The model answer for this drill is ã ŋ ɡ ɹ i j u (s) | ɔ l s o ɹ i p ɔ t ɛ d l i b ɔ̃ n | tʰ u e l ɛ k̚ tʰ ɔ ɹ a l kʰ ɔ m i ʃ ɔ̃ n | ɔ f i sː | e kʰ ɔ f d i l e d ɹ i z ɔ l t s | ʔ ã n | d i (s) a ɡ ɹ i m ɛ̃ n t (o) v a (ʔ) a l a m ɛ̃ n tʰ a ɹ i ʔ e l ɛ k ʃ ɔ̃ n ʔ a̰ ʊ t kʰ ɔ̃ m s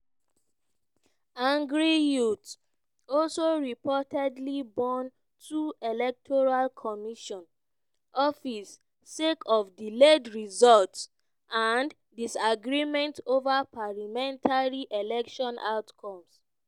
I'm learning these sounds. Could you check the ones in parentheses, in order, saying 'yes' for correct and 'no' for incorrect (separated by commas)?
no, yes, yes, no